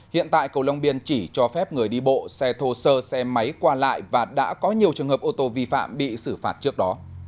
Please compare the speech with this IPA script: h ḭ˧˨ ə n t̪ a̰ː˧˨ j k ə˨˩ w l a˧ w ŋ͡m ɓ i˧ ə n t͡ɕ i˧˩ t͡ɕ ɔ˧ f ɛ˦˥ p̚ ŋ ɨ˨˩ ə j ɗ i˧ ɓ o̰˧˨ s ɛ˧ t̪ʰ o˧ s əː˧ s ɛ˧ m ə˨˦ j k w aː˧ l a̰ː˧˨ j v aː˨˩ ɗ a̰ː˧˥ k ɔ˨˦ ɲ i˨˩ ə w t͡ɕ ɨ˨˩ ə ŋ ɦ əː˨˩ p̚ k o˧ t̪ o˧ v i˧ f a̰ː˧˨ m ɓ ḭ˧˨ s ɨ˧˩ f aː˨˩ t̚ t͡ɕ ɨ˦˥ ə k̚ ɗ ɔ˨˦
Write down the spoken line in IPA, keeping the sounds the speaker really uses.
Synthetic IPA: h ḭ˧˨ ə n t̪ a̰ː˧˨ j k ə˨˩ w l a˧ w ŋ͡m ɓ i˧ ə n t͡ɕ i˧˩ t͡ɕ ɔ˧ f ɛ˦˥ p̚ ŋ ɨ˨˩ ə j ɗ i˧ ɓ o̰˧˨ s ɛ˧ t̪ʰ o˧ s əː˧ s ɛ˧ m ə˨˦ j k w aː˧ l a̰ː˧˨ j v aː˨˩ ɗ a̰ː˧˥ k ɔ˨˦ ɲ i˨˩ ə w t͡ɕ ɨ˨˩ ə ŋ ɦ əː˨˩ p̚ ʔ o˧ t̪ o˧ v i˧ f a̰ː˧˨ m ɓ ḭ˧˨ s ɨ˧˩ f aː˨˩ t̚ t͡ɕ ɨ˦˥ ə k̚ ɗ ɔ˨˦

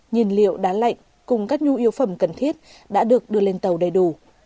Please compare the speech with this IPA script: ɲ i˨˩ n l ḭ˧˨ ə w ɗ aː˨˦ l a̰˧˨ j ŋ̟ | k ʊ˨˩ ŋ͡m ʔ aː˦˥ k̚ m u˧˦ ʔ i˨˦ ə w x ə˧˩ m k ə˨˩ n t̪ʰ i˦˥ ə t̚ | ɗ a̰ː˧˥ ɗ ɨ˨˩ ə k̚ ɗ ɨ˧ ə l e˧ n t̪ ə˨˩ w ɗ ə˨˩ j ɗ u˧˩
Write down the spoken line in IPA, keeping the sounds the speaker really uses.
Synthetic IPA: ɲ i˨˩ n l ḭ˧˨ ə w ɗ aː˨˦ l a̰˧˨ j ŋ̟ | k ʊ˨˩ ŋ͡m k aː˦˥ k̚ ɲ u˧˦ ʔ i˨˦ ə w f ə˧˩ m k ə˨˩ n t̪ʰ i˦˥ ə t̚ | ɗ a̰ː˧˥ ɗ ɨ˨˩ ə k̚ ɗ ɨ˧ ə l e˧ n t̪ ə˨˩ w ɗ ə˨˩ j ɗ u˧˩

